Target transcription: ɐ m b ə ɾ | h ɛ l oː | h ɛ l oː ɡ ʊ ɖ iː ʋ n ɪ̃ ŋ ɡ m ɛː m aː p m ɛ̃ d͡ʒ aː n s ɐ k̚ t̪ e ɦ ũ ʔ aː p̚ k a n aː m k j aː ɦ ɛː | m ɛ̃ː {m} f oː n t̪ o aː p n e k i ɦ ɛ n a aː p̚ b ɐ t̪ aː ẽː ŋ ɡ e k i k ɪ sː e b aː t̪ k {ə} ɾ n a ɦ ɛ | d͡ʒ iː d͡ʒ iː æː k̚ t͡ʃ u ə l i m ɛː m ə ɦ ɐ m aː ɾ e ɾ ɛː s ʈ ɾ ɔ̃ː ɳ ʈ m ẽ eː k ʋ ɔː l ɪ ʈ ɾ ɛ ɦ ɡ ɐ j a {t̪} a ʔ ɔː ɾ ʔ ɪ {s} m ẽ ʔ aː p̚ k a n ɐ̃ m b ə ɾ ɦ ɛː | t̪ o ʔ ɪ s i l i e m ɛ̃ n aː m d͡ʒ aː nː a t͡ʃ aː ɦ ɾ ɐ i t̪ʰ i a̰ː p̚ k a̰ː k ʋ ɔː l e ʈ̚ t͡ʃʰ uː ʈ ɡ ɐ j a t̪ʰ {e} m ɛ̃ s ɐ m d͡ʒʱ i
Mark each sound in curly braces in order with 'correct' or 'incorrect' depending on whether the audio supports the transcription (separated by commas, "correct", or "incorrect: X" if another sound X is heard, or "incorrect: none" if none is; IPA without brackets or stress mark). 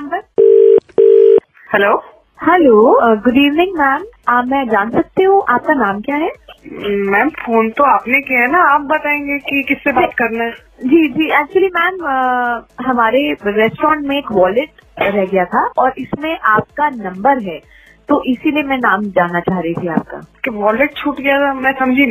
correct, incorrect: ɐ, incorrect: t̪ʰ, correct, incorrect: a